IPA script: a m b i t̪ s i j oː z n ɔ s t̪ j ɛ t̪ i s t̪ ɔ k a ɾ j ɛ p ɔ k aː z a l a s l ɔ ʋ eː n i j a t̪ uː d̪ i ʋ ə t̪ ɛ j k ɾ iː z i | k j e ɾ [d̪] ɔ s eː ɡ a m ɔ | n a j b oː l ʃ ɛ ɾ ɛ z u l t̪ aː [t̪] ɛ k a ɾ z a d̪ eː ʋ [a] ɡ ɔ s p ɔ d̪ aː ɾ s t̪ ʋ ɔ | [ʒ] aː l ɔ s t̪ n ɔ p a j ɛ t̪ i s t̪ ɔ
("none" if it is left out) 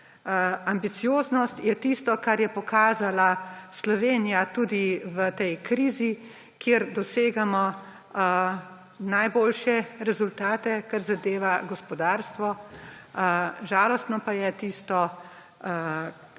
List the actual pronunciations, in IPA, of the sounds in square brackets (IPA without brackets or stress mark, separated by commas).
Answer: d̪, t̪, a, ʒ